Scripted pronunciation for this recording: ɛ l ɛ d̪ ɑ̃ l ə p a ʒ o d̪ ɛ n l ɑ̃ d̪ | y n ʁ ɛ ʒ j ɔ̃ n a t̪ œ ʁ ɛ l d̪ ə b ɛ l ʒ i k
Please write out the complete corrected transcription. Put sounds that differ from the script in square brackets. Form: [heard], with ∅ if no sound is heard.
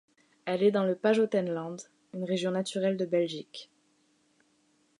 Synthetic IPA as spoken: ɛ l ɛ d̪ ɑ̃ l ə p a ʒ o [t̪] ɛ n l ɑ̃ d̪ | y n ʁ [e] ʒ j ɔ̃ n a t̪ [y] ʁ ɛ l d̪ ə b ɛ l ʒ i k